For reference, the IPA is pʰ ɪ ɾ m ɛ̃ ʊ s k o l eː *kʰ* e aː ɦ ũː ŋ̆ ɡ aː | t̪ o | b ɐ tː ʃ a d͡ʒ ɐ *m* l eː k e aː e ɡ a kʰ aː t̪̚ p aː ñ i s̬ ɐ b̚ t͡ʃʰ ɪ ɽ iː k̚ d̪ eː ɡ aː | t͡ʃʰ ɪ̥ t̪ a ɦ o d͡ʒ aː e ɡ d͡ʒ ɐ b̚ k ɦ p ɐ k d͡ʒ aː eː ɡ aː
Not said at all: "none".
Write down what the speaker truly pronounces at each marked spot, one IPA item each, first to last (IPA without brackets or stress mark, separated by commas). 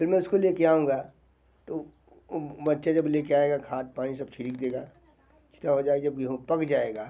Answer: k, b